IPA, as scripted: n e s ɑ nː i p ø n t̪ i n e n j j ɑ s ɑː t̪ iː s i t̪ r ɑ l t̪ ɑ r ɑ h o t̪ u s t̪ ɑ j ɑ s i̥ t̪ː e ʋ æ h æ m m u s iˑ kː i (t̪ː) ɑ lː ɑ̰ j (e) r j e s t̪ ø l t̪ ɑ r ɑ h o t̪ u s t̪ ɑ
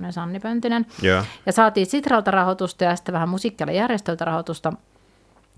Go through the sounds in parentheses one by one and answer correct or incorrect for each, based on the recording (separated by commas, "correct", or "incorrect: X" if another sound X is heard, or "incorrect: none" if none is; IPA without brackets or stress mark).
incorrect: none, incorrect: æ